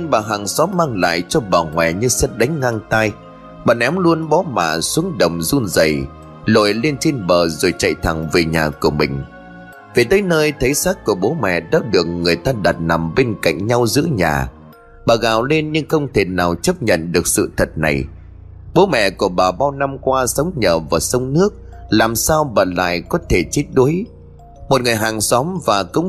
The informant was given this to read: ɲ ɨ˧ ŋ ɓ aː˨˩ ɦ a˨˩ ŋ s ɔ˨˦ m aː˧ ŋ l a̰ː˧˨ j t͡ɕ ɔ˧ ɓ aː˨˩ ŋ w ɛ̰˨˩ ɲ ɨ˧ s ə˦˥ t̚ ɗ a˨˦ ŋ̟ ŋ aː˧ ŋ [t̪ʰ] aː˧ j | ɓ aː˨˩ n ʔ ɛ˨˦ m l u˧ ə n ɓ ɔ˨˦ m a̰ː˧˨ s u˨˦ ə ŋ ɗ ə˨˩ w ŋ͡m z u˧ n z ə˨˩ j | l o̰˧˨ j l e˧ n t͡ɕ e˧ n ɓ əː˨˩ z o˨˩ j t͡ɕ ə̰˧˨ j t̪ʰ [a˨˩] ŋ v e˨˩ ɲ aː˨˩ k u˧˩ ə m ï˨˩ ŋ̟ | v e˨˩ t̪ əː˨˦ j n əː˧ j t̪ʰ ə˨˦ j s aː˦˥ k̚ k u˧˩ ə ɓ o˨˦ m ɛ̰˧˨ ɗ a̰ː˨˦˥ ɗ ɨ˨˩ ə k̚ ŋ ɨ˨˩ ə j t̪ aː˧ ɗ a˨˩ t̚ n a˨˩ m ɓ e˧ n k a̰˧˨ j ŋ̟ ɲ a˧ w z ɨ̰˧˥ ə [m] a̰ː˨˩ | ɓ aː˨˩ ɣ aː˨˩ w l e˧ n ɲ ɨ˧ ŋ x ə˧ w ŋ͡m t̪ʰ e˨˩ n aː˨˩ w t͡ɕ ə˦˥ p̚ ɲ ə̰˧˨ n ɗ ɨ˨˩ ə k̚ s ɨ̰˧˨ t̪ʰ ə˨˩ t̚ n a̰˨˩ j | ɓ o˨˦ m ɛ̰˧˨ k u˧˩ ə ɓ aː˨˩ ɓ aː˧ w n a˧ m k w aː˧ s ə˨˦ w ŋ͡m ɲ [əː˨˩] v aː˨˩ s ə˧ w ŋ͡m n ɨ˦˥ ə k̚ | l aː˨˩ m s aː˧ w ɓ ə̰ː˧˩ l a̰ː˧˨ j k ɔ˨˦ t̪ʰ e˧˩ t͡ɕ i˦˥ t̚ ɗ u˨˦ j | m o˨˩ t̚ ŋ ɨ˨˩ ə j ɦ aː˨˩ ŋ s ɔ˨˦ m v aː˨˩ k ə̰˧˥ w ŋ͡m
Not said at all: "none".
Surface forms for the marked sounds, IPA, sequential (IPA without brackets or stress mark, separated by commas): t̪, a˨˩, ɲ, əː˨˩